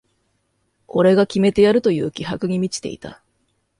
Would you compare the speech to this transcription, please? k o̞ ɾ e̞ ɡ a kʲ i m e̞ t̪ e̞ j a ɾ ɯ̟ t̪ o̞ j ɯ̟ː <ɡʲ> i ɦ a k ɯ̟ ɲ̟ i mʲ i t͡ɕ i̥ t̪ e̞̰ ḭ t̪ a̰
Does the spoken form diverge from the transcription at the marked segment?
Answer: yes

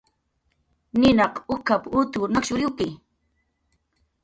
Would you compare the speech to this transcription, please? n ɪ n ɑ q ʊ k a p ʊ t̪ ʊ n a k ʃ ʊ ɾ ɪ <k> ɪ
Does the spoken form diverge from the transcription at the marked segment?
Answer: no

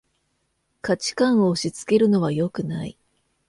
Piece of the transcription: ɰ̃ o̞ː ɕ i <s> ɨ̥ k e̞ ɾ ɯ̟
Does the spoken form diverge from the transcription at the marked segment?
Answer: yes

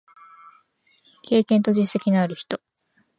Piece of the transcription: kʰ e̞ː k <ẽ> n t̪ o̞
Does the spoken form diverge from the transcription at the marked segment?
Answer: no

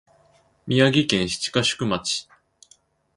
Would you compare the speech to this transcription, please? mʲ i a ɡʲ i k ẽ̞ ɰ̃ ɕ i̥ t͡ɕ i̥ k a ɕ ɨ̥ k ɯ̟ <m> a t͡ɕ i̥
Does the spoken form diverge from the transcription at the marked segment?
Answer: no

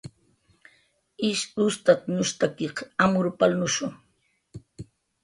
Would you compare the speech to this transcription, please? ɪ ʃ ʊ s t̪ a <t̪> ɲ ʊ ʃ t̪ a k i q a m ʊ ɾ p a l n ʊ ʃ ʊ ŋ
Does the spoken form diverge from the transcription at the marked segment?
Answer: no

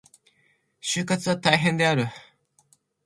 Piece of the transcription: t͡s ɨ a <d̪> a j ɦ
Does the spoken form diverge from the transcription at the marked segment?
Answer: yes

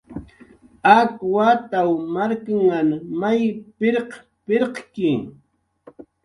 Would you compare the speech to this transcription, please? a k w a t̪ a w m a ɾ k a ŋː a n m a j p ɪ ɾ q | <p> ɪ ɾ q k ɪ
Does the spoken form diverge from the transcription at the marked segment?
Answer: no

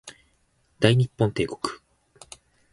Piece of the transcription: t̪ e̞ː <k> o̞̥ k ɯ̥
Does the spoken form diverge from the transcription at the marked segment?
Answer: no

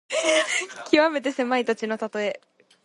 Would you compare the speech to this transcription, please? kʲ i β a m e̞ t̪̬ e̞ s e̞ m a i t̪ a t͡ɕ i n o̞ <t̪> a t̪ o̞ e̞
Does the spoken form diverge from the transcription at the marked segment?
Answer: no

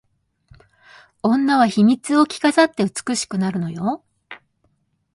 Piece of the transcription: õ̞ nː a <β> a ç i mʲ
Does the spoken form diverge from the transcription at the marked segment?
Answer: no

